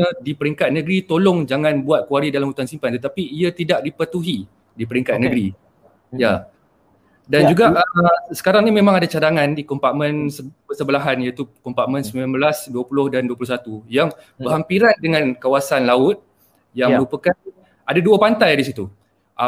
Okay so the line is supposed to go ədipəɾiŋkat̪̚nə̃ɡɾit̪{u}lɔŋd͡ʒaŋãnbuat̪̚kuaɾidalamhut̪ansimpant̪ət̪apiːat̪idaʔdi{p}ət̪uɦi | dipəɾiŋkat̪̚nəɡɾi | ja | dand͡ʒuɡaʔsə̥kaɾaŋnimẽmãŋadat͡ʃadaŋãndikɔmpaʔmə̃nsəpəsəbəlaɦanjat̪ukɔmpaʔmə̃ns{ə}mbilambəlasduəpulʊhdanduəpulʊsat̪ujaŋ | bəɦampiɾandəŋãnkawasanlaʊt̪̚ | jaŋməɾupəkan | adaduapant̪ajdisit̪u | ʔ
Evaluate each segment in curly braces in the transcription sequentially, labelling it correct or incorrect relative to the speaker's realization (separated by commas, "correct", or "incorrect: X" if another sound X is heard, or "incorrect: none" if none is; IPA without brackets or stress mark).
incorrect: o, correct, correct